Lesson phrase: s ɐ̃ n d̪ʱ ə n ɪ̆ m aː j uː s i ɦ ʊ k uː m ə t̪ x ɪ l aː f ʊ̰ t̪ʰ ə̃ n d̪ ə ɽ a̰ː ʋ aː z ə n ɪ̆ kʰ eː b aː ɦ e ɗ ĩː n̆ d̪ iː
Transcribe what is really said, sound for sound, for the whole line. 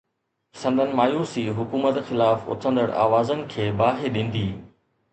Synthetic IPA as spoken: s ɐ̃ n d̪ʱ ə n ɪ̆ m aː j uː s i ɦ ʊ k uː m ə t̪ x ɪ l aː f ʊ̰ t̪ʰ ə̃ n d̪ ə ɽ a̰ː ʋ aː z ə n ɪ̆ kʰ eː b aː ɦ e ɗ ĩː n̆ d̪ iː

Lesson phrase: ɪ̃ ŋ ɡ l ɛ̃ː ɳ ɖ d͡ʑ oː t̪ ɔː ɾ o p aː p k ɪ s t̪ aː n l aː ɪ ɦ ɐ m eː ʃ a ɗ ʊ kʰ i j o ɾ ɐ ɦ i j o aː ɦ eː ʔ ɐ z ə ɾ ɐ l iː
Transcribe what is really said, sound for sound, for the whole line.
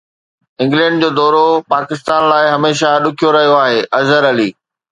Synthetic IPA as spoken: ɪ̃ ŋ ɡ l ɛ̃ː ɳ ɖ d͡ʑ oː d̪ ɔː ɾ o p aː k ɪ s t̪ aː n l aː ɪ ɦ ɐ m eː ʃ a ɗ ʊ kʰ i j o ɾ ɐ ɦ i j o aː ɦ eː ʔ ɐ z ə ɾ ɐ l iː

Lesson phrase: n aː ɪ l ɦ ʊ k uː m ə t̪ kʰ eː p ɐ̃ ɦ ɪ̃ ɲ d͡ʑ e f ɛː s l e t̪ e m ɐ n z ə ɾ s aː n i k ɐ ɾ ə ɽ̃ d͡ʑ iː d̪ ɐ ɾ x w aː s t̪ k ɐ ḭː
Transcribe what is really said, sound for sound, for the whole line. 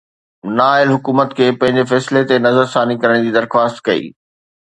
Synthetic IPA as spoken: n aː ɪ l ɦ ʊ k uː m ə t̪ kʰ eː p ɐ̃ ɦ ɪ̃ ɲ d͡ʑ e f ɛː s l e t̪ e n ɐ z ə ɾ s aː n i k ɐ ɾ ə ɽ̃ d͡ʑ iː d̪ ɐ ɾ x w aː s t̪ k ɐ ḭː

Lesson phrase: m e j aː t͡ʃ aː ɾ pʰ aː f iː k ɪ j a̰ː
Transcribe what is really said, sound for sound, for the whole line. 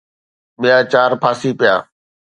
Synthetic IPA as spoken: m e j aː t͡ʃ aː ɾ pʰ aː s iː p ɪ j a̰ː

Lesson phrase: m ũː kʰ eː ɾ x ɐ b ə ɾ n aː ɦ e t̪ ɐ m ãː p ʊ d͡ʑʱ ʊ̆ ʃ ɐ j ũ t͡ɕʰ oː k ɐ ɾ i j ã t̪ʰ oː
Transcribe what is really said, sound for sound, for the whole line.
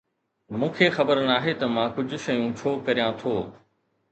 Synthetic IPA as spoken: m ũː kʰ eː x ɐ b ə ɾ n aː ɦ e t̪ ɐ m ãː k ʊ d͡ʑʱ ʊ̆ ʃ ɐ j ũ t͡ɕʰ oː k ɐ ɾ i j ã t̪ʰ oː

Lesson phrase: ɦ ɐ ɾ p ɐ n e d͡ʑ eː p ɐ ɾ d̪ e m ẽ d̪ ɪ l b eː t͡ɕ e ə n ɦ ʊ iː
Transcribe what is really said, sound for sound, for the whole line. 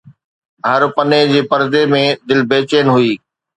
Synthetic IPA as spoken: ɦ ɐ ɾ p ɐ n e d͡ʑ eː p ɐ ɾ d̪ e m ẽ d̪ ɪ l b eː t͡ɕ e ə n ɦ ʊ iː

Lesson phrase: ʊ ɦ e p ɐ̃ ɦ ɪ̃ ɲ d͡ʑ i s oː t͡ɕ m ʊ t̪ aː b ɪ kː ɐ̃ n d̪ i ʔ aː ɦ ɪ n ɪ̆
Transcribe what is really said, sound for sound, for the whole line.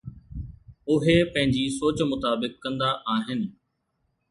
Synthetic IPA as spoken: ʊ ɦ e p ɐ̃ ɦ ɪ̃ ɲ d͡ʑ i s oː t͡ɕ m ʊ t̪ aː b ɪ kː ɐ̃ n d̪ a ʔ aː ɦ ɪ n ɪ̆

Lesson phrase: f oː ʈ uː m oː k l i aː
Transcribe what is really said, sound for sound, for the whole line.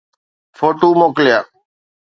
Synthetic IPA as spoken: f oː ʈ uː m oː k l j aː

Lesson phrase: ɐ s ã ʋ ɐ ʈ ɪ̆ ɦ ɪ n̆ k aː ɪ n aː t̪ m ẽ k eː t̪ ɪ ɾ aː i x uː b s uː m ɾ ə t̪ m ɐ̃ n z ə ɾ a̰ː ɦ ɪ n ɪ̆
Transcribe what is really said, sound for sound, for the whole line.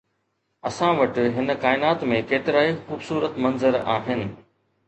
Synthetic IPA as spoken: ɐ s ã ʋ ɐ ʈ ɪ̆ ɦ ɪ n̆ k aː ɪ n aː t̪ m ẽ k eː t̪ ɪ ɾ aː i x uː b s uː ɾ ə t̪ m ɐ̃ n z ə ɾ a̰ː ɦ ɪ n ɪ̆

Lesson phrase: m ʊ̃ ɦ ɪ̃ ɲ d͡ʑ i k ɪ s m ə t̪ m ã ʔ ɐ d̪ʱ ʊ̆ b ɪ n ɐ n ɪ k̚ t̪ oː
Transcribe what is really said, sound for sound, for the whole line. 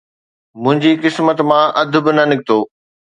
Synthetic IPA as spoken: m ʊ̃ ɦ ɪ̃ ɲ d͡ʑ i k ɪ s m ə t̪ m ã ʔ ɐ d̪ʱ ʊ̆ b ɪ n ɐ n ɪ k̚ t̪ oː

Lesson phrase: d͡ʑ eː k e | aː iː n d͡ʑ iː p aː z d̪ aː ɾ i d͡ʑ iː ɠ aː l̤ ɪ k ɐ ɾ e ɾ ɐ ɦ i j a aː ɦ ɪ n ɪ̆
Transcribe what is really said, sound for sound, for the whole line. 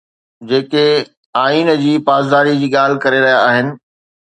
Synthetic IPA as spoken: d͡ʑ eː k e | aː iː n d͡ʑ iː p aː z d̪ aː ɾ i d͡ʑ iː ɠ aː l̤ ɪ k ɐ ɾ e ɾ ɐ ɦ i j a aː ɦ ɪ n ɪ̆

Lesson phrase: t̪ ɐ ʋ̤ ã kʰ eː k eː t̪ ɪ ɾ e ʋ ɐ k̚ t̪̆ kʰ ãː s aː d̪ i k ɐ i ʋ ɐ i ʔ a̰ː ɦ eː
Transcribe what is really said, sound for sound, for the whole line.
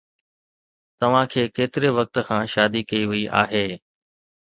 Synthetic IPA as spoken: t̪ ɐ ʋ̤ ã kʰ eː k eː t̪ ɪ ɾ e ʋ ɐ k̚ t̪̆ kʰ ãː ʃ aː d̪ i k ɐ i ʋ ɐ i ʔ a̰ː ɦ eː

